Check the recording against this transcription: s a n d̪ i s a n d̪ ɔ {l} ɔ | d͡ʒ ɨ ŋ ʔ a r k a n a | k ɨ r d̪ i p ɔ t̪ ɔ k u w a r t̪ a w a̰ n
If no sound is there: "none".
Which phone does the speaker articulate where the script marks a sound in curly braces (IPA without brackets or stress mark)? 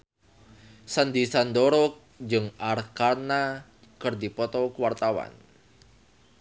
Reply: ɾ